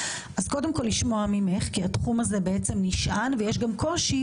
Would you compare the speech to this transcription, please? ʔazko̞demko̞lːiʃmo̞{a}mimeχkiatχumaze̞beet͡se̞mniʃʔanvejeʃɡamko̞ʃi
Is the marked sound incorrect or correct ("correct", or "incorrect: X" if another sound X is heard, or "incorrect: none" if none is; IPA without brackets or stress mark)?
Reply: correct